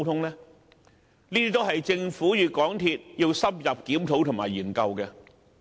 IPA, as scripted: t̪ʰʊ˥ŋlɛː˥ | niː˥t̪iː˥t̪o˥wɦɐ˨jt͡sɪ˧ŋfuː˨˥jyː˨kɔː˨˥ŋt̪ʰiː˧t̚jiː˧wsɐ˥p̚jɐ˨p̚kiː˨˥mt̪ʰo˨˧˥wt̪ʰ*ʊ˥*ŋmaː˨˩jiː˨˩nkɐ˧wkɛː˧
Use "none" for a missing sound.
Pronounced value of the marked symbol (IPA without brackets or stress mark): ʊ˨˩